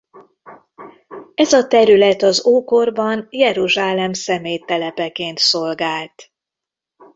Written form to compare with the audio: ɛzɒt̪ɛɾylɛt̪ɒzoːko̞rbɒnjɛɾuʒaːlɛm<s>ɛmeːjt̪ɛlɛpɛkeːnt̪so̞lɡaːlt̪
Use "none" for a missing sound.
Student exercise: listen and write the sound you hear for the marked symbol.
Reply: s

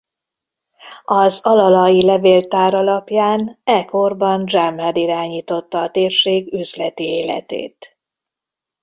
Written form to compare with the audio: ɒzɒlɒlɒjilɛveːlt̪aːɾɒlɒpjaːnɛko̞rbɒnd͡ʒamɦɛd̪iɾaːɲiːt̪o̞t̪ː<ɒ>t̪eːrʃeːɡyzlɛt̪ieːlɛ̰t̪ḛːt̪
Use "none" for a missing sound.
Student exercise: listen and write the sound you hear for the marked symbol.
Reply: ɒː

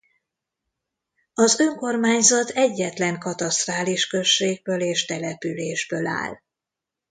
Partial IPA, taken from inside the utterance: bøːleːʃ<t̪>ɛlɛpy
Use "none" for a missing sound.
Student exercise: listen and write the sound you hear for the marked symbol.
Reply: t̪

